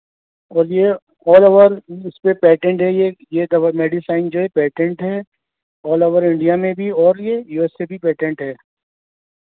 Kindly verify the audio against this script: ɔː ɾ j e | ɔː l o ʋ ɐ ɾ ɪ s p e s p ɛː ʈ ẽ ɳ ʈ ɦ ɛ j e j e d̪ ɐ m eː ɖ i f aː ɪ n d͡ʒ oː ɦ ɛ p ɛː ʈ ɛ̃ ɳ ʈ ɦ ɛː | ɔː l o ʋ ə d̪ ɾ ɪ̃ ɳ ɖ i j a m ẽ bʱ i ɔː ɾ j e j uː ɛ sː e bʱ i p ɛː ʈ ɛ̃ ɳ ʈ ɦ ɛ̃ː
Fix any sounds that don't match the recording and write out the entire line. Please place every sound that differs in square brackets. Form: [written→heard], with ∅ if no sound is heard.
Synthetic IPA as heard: ɔː ɾ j e | ɔː l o ʋ [ɐ→ə] ɾ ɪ s p e [s→∅] p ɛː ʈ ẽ ɳ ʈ ɦ ɛ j e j e d̪ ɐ m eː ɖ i [f→s] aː ɪ n d͡ʒ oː ɦ ɛ p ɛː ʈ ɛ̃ ɳ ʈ ɦ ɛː | ɔː l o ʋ ə [d̪→∅] ɾ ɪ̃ ɳ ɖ i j a m ẽ bʱ i ɔː ɾ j e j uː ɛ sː e bʱ i p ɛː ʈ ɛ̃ ɳ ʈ ɦ [ɛ̃ː→ɛː]